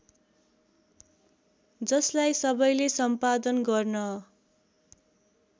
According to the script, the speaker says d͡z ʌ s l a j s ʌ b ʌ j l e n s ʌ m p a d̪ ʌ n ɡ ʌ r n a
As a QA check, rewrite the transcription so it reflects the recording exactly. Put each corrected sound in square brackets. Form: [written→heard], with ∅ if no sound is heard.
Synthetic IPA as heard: d͡z ʌ s l a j s ʌ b ʌ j l e [n→∅] s ʌ m p a d̪ ʌ n ɡ ʌ r n [a→ʌ]